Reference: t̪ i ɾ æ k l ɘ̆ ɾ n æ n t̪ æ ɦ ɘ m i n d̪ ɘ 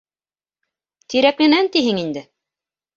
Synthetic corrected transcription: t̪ i ɾ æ k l ɘ̆ n æ n t̪ i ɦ ɘ ŋ i n d̪ ɘ